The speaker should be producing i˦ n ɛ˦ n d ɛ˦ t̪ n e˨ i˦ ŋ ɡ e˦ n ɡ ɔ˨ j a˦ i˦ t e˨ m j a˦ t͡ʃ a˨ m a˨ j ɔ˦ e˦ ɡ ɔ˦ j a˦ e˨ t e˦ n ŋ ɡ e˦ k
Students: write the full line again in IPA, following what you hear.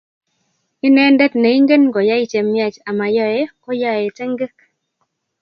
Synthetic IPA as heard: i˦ n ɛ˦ n d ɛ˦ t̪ n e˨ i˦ ŋ ɡ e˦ n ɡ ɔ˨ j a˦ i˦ t͡ʃ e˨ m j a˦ t͡ʃ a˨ m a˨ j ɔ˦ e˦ k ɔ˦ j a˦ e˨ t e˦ ŋ ɡ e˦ k